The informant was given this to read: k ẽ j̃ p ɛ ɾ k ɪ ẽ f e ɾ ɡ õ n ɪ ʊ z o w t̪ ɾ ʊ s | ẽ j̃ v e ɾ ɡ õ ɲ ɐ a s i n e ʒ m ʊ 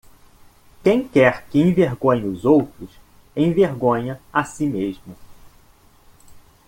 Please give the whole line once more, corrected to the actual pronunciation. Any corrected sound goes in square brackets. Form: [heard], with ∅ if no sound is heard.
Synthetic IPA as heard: k ẽ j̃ [k] ɛ ɾ k ɪ ẽ [v] e ɾ ɡ õ [ɲ] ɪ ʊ z o w t̪ ɾ ʊ s | ẽ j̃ v e ɾ ɡ õ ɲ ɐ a s i [m] e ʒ m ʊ